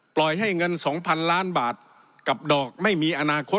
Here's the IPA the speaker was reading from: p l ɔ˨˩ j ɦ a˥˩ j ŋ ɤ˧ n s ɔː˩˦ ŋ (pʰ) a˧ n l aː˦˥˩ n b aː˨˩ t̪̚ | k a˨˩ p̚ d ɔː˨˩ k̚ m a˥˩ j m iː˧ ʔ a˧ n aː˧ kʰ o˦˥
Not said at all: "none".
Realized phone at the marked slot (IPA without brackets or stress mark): pʰ